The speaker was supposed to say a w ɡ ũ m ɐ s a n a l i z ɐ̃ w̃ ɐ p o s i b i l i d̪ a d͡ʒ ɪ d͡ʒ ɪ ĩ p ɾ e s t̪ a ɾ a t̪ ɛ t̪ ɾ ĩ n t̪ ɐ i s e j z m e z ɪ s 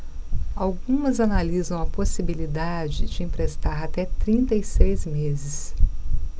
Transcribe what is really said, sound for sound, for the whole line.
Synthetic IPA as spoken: a w ɡ ũ m ɐ z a n a l i z ɐ̃ w̃ ɐ p o s i b i l i d̪ a d͡ʒ ɪ d͡ʒ ɪ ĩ p ɾ e s t̪ a ɾ a t̪ ɛ t̪ ɾ ĩ n t̪ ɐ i s e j z m e z ɪ s

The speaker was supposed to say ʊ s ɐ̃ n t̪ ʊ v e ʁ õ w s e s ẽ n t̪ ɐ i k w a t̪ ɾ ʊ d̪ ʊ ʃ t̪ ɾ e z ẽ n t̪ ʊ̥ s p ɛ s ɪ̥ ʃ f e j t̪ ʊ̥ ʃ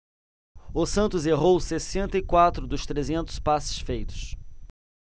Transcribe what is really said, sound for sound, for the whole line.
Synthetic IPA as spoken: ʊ s ɐ̃ n t̪ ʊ z e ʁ o w s e s ẽ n t̪ ɐ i k w a t̪ ɾ ʊ d̪ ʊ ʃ t̪ ɾ e z ẽ n t̪ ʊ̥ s p a s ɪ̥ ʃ f e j t̪ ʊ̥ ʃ

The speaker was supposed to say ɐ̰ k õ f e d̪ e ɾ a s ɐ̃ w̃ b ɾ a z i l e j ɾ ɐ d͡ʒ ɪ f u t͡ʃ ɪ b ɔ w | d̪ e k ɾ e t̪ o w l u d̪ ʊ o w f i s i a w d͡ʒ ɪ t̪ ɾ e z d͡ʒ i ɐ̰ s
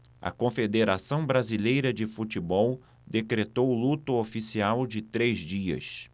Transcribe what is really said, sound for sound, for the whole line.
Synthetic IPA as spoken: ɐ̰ k õ f e d̪ e ɾ a s ɐ̃ w̃ b ɾ a z i l e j ɾ ɐ d͡ʒ ɪ f u t͡ʃ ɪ b ɔ w | d̪ e k ɾ e t̪ o w l u t̪ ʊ o f i s i a w d͡ʒ ɪ t̪ ɾ e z d͡ʒ i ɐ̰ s

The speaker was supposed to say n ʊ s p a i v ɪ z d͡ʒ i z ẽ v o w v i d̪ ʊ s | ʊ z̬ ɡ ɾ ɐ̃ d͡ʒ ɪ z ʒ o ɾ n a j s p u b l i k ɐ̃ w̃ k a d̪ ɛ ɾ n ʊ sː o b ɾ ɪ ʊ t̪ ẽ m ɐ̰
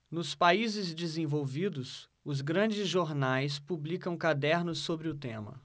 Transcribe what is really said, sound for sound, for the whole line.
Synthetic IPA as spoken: n ʊ s p a i z ɪ z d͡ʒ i z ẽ v o w v i d̪ ʊ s | ʊ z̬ ɡ ɾ ɐ̃ d͡ʒ ɪ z ʒ o ɾ n a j s p u b l i k ɐ̃ w̃ k a d̪ ɛ ɾ n ʊ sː o b ɾ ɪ ʊ t̪ ẽ m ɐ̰

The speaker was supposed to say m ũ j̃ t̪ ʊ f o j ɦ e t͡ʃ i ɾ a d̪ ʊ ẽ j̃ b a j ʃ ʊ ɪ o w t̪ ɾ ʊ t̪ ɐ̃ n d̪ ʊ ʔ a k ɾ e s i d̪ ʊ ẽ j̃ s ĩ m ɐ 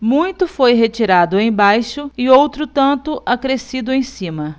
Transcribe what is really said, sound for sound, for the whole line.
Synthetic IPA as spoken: m ũ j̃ t̪ ʊ f o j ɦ e t͡ʃ i ɾ a d̪ ʊ ẽ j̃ b a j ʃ ʊ ɪ o w t̪ ɾ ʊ t̪ ɐ̃ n t̪ ʊ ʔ a k ɾ e s i d̪ ʊ ẽ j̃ s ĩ m ɐ

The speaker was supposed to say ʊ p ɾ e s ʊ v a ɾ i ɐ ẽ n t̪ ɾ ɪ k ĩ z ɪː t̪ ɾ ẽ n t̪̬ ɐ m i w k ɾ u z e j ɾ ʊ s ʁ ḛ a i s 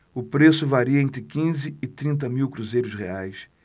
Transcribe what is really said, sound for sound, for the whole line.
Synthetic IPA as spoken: ʊ p ɾ e s ʊ v a ɾ i ɐ ẽ n t̪ ɾ ɪ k ĩ z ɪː t̪ ɾ ĩ n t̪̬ ɐ m i w k ɾ u z e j ɾ ʊ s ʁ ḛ a j s

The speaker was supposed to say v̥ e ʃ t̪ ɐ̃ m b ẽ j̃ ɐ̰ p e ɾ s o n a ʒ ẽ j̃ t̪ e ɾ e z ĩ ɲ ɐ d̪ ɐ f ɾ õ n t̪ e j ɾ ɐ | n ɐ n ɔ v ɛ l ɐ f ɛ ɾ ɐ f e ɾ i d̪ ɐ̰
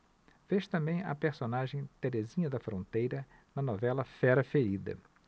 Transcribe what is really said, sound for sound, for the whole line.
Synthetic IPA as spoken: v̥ e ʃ t̪ ɐ̃ m b ẽ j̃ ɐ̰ p e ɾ s o n a ʒ ẽ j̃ t̪ e ɾ e z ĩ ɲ ɐ d̪ ɐ f ɾ õ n t̪ e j ɾ ɐ | n ɐ n ɔ v ɛ l ɐ f ɛ ɾ ɐ f e ɾ i d̪ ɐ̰

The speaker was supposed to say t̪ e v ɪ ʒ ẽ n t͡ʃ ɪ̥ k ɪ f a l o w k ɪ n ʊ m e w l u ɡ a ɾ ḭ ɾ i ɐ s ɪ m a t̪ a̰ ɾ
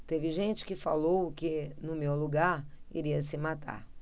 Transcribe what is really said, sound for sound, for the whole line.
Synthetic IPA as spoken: t̪ e v ɪ ʒ ẽ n t͡ʃ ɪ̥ k ɪ f a l o w k ɪ n ʊ m e w l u ɡ a ɾ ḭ ɾ i ɐ s ɪ m a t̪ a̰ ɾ

